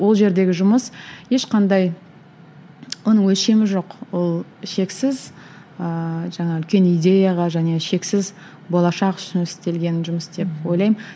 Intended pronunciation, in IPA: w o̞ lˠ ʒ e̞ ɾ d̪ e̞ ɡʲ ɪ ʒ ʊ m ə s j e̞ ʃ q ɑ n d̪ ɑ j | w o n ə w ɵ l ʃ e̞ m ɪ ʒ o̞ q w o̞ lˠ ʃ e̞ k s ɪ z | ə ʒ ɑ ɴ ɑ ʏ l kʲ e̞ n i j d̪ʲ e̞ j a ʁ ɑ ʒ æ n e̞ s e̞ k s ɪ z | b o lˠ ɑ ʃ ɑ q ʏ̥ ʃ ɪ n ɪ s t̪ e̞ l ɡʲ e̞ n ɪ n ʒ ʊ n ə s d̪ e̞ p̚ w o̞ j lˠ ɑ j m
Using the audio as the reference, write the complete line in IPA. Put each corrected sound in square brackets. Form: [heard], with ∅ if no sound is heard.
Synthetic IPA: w o̞ lˠ ʒ e̞ ɾ d̪ e̞ ɡʲ ɪ ʒ ʊ m ə s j e̞ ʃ q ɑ n d̪ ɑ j | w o n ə w ɵ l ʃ e̞ m ɪ ʒ o̞ q w o̞ lˠ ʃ e̞ k s ɪ z | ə ʒ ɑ ɴ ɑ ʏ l kʲ e̞ n i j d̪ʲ e̞ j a ʁ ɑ ʒ æ n e̞ [ʃ] e̞ k s ɪ z | b o lˠ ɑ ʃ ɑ q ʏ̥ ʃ ɪ n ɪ s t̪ e̞ l ɡʲ e̞ n ɪ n ʒ ʊ [m] ə s d̪ e̞ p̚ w o̞ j lˠ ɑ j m

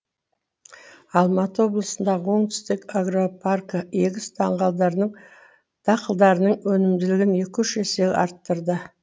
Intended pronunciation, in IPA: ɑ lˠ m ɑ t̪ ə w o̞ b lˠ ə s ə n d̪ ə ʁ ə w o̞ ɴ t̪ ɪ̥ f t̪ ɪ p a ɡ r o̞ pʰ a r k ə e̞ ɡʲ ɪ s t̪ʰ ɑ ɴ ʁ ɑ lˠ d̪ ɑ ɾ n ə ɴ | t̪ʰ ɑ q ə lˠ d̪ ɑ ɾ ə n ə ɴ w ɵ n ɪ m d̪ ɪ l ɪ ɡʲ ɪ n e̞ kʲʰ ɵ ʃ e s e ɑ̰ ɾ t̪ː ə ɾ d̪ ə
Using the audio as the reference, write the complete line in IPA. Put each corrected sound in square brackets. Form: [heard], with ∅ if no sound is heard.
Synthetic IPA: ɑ lˠ m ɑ t̪ ə w o̞ b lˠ ə s ə n d̪ [ɑ] ʁ ə w o̞ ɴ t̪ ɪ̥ [s] t̪ ɪ [k] a ɡ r o̞ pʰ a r k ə e̞ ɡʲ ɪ s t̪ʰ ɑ ɴ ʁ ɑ lˠ d̪ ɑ ɾ n ə ɴ | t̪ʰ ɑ q ə lˠ d̪ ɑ ɾ ə n ə ɴ w ɵ n ɪ m d̪ ɪ l ɪ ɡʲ ɪ n e̞ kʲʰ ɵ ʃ e s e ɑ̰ ɾ t̪ː ə ɾ d̪ ə

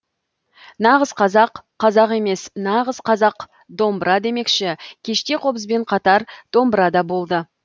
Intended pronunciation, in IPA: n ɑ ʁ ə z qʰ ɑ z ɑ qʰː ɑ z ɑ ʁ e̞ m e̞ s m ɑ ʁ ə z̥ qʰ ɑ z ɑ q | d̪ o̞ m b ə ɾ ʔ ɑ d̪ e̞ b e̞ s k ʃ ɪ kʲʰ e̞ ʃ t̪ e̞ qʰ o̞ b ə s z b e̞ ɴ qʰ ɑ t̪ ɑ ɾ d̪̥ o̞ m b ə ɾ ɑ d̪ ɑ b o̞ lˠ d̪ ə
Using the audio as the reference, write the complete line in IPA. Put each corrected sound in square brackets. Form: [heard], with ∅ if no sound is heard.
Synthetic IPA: n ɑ ʁ ə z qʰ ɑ z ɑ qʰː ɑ z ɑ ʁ e̞ m e̞ s [n] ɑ ʁ ə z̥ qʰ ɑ z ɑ q | d̪ o̞ m b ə ɾ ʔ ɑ d̪ e̞ [m] e̞ [∅] k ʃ ɪ kʲʰ e̞ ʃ t̪ e̞ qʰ o̞ b ə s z b e̞ ɴ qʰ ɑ t̪ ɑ ɾ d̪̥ o̞ m b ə ɾ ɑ d̪ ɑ b o̞ lˠ d̪ ə

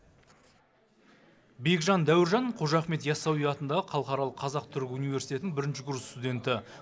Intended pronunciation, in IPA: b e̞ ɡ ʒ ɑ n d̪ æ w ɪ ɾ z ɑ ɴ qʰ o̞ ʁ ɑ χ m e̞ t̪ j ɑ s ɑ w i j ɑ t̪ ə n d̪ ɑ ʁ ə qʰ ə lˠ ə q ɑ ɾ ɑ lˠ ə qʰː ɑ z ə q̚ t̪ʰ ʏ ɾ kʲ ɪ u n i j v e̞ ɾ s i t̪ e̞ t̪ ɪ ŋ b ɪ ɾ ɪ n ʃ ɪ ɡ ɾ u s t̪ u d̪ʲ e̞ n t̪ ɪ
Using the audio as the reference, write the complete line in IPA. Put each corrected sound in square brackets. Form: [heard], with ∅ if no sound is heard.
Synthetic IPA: b e̞ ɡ ʒ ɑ n d̪ æ w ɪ ɾ [ʒ] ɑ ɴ qʰ o̞ [ʒ] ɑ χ m e̞ t̪ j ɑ s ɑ w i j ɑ t̪ ə n d̪ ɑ ʁ ə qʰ [ɑ] lˠ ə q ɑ ɾ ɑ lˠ ə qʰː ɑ z [ɑ] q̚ t̪ʰ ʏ ɾ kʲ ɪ u n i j v e̞ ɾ s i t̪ e̞ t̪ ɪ ŋ b ɪ ɾ ɪ n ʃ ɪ ɡ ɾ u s t̪ u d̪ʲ e̞ n t̪ ɪ

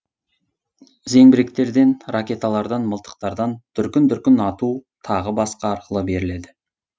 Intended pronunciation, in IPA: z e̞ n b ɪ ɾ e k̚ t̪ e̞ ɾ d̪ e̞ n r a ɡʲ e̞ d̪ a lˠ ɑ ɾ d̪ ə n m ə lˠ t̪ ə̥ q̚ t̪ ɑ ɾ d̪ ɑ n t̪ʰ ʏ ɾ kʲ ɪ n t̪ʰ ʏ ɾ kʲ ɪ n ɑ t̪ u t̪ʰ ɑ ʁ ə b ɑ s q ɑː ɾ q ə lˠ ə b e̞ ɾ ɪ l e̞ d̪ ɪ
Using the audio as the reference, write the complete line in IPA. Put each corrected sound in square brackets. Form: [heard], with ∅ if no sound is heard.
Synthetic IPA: z e̞ [ŋ] b ɪ ɾ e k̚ t̪ e̞ ɾ d̪ e̞ n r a [kʲ] e̞ [t̪] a lˠ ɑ ɾ d̪ [ɑ] n m ə lˠ t̪ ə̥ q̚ t̪ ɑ ɾ d̪ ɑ n t̪ʰ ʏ ɾ kʲ ɪ n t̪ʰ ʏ ɾ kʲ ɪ n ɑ t̪ u t̪ʰ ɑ ʁ ə b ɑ s q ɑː ɾ q ə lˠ ə b e̞ ɾ ɪ l e̞ d̪ ɪ

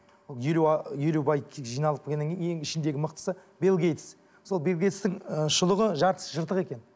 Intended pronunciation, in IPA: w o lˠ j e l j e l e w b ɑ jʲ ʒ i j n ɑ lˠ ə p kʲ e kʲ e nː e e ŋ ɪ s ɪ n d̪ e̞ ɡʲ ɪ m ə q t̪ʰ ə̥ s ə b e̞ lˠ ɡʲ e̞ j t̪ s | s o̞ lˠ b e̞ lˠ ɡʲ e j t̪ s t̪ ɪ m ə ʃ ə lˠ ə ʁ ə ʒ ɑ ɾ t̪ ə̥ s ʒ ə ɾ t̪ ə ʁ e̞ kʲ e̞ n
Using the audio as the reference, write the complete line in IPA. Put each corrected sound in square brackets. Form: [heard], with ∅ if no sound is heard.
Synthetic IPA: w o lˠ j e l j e l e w b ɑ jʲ ʒ i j n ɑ lˠ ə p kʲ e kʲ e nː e e ŋ ɪ [ʃ] ɪ n d̪ e̞ ɡʲ ɪ m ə q [t̪] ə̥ s ə b e̞ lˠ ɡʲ e̞ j t̪ s | s o̞ lˠ b e̞ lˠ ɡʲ e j t̪ s t̪ ɪ [ŋ] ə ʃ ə lˠ ə ʁ ə ʒ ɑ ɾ t̪ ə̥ s ʒ ə ɾ t̪ ə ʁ e̞ kʲ e̞ n

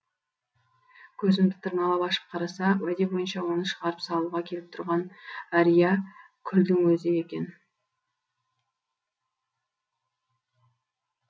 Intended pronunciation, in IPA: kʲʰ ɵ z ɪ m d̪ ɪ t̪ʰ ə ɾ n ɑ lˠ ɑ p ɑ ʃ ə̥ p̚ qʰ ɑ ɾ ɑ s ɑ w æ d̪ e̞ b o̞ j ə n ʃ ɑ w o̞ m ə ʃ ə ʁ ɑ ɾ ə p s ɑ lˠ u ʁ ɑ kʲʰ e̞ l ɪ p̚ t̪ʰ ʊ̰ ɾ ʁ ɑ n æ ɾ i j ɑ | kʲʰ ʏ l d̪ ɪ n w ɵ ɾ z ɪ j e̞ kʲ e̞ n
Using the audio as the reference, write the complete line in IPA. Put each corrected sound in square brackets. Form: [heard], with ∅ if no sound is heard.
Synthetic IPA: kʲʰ ɵ z ɪ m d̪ ɪ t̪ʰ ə ɾ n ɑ lˠ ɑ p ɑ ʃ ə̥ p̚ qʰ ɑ ɾ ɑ s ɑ w æ d̪ e̞ b o̞ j ə n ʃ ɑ w o̞ [n] ə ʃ ə ʁ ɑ ɾ ə p s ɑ lˠ u ʁ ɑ kʲʰ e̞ l ɪ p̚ t̪ʰ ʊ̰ ɾ ʁ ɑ n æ ɾ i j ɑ | kʲʰ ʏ l d̪ ɪ [ŋ] w ɵ [∅] z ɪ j e̞ kʲ e̞ n

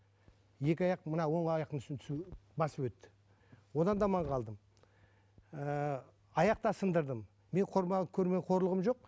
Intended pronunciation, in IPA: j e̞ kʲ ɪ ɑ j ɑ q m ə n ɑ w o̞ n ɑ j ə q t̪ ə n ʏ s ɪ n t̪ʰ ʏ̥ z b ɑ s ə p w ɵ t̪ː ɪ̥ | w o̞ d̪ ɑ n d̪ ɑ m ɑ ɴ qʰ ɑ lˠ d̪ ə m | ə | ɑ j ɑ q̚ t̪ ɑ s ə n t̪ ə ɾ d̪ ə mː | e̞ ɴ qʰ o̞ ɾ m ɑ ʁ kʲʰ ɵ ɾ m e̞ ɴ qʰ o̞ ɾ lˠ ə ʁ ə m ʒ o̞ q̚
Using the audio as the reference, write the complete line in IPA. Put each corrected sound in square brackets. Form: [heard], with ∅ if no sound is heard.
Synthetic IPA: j e̞ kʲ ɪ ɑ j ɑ q m ə n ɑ w o̞ [ɴ] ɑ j [ɑ] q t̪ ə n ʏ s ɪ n t̪ʰ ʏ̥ [s] b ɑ s ə p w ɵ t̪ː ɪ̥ | w o̞ d̪ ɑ n d̪ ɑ m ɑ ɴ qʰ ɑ lˠ d̪ ə m | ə | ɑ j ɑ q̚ t̪ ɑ s ə n [d̪] ə ɾ d̪ ə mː | e̞ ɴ qʰ o̞ ɾ m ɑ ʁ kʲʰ ɵ ɾ m e̞ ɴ qʰ o̞ ɾ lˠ ə ʁ ə m ʒ o̞ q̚

